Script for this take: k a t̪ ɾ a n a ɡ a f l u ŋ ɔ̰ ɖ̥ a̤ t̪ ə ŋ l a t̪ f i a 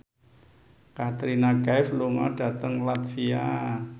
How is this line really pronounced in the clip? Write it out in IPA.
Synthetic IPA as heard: k a t̪ ɾ i n a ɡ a f l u ŋ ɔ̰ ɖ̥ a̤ t̪ ə ŋ l a t̪ f i a

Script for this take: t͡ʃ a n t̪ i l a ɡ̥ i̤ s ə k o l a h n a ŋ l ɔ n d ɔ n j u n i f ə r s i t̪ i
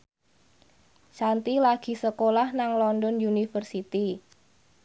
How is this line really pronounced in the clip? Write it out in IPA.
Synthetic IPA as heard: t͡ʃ a n t̪ i l a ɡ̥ i̤ s ə k o l a h n a ŋ l ɔ n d ɔ n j u n i f ə r s i t̪ i

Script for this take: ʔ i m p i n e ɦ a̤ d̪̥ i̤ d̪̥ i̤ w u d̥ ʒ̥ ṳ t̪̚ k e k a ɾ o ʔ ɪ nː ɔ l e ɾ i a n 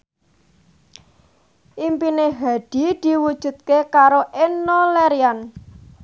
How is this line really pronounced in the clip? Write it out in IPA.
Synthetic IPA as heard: ʔ i m p i n e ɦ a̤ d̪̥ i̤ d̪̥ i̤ w u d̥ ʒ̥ ṳ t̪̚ k e k a ɾ o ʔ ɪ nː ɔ l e ɾ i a n

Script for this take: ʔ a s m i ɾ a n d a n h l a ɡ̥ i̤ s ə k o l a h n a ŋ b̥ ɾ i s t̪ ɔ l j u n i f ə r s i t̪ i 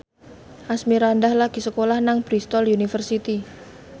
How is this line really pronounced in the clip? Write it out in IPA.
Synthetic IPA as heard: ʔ a s m i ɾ a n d a h l a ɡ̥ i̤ s ə k o l a h n a ŋ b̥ ɾ i s t̪ ɔ l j u n i f ə r s i t̪ i

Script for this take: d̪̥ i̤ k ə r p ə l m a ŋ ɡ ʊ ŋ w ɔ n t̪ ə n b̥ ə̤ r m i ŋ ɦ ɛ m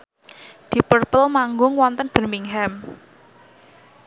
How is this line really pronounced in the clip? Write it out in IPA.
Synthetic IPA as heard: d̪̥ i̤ p ə r p ə l m a ŋ ɡ ʊ ŋ w ɔ n t̪ ə n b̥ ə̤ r m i ŋ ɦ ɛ m

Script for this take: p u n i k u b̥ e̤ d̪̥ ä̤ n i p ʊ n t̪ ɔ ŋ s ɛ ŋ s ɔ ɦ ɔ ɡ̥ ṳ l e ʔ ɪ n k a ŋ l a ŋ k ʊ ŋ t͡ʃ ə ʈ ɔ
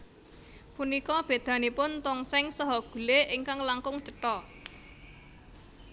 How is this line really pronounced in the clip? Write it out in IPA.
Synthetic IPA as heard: p u n i k ɔ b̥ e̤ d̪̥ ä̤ n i p ʊ n t̪ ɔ ŋ s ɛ ŋ s ɔ ɦ ɔ ɡ̥ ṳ l e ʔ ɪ ŋ k a ŋ l a ŋ k ʊ ŋ t͡ʃ ə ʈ ɔ

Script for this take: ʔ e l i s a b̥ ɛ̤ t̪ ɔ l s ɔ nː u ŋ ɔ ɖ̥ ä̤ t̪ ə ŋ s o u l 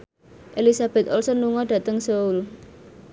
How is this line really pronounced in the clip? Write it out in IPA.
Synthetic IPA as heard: ʔ e l i s a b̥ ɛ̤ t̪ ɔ l s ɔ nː u ŋ ɔ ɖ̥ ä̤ t̪ ə ŋ s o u l

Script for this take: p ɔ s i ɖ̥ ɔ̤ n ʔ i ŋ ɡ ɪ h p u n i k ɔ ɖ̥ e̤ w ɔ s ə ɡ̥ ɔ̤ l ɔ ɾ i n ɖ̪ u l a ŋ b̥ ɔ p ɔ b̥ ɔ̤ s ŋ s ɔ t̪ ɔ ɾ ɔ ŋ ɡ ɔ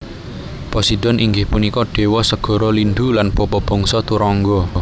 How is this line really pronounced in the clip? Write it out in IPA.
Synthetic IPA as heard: p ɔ s i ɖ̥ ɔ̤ n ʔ i ŋ ɡ ɪ h p u n i k ɔ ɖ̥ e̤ w ɔ s ə ɡ̥ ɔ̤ ɾ ɔ l i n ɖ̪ u l a n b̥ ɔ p ɔ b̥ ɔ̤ ŋ s ɔ t̪ u ɾ ɔ ŋ ɡ ɔ

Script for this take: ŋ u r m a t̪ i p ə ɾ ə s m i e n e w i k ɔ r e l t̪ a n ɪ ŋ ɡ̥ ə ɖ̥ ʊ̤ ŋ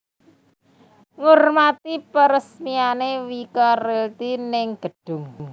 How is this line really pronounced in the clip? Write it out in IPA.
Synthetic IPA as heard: ŋ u r m a t̪ i p ə ɾ ə s m i a n e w i k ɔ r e l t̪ i n ɪ ŋ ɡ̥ ə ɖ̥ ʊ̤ ŋ

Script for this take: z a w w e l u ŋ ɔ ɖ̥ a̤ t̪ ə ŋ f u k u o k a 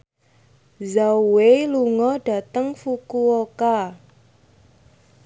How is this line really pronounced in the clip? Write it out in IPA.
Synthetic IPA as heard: z a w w e l u ŋ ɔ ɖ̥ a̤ t̪ ə ŋ f u k u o k a

